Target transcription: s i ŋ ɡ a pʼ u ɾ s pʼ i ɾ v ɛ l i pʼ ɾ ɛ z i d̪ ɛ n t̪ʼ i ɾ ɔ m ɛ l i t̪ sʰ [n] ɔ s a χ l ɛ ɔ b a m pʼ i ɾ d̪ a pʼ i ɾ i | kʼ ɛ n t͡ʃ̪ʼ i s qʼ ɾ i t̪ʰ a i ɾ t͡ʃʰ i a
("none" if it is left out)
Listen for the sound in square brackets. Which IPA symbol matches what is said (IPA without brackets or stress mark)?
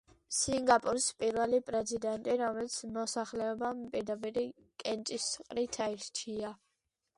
m